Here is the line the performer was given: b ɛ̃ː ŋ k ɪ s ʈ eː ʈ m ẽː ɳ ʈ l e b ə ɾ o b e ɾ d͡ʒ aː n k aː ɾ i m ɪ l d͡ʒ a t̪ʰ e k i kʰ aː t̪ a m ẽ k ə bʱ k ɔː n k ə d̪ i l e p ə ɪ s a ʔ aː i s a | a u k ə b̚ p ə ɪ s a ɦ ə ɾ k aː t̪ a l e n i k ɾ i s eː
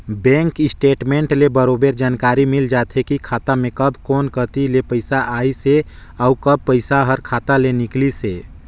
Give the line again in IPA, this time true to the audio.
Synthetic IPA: b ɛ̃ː ŋ k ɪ s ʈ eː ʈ m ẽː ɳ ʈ l e b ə ɾ o b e ɾ d͡ʒ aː n k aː ɾ i m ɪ l d͡ʒ a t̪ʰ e k i kʰ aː t̪ a m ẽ k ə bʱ k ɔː n k ə t̪ i l e p ə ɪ s a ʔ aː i s e | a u k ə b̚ p ə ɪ s a ɦ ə ɾ kʰ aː t̪ a l e n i k l i s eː